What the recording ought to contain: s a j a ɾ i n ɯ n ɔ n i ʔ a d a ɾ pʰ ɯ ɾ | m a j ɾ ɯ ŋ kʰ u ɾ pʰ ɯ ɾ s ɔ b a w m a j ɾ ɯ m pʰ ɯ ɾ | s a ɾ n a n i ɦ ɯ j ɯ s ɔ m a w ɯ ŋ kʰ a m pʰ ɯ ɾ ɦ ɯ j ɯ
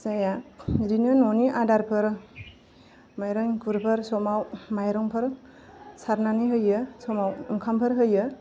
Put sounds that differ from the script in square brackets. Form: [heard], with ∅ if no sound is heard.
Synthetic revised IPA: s a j a ɾ i n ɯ n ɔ n i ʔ a d a ɾ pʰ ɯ ɾ | m a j ɾ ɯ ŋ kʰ u ɾ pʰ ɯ ɾ s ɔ [m] a w m a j ɾ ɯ [ŋ] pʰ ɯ ɾ | s a ɾ n a n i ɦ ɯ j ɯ s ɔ m a w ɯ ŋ kʰ a m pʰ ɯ ɾ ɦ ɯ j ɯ